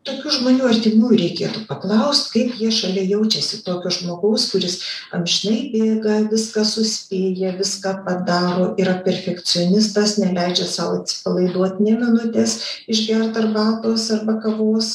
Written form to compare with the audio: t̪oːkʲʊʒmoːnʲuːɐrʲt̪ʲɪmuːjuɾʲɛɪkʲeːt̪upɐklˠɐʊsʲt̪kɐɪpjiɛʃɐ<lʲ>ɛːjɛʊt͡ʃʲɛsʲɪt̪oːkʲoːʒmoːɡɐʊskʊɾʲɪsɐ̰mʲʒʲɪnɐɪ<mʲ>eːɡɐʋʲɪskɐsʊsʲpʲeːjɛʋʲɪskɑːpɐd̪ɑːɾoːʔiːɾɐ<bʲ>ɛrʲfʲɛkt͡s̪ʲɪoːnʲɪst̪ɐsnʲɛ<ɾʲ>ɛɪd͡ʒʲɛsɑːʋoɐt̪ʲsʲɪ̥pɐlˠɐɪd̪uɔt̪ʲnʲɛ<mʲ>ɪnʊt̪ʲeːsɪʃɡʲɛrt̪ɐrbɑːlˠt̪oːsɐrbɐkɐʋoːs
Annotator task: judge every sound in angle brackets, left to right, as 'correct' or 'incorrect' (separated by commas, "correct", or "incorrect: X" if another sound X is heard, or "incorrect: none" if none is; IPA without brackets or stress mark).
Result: correct, incorrect: bʲ, incorrect: pʲ, incorrect: lʲ, correct